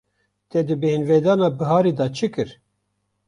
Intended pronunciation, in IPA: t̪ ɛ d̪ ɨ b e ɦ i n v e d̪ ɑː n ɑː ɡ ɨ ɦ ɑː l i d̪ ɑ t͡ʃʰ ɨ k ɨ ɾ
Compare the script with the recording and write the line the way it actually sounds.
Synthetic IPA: t̪ ɛ d̪ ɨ b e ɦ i n v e d̪ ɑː n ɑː b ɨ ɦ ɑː ɾ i d̪ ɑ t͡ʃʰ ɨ k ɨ ɾ